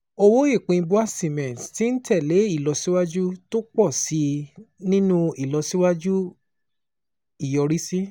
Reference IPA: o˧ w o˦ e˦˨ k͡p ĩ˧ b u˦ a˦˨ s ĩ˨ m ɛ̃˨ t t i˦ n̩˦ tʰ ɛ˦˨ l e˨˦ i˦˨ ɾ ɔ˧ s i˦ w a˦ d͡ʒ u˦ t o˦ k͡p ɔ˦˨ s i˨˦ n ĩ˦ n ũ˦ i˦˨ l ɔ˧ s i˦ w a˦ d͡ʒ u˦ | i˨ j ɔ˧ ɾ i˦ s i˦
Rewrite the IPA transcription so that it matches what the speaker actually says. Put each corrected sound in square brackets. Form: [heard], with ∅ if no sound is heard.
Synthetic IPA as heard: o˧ w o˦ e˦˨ k͡p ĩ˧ b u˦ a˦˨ s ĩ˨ m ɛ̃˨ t t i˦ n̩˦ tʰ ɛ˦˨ l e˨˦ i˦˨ [l] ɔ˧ s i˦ w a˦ d͡ʒ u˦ t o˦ k͡p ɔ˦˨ s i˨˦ n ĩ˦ n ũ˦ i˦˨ l ɔ˧ s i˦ w a˦ d͡ʒ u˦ | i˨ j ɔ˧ ɾ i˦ s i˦